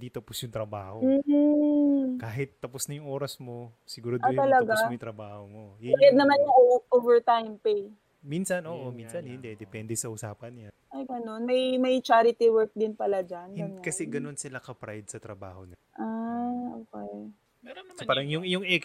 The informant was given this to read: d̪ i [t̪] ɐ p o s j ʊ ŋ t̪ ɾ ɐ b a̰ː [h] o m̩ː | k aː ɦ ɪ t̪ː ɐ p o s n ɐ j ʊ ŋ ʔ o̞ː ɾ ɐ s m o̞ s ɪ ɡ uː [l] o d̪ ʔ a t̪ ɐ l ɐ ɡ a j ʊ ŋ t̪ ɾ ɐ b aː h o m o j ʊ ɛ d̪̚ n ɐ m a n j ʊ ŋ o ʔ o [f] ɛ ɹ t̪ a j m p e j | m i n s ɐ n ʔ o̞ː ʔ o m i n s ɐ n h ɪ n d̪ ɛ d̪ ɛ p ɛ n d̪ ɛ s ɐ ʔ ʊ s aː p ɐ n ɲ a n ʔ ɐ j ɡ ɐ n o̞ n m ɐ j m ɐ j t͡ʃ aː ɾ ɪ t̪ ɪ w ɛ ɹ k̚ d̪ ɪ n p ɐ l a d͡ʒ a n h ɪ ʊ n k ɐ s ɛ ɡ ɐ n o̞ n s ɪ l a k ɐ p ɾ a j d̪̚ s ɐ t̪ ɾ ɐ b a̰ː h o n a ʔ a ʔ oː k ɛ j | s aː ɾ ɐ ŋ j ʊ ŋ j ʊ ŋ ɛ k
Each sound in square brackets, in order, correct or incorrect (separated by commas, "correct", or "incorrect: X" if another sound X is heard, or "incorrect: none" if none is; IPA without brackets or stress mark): correct, correct, incorrect: ɾ, incorrect: v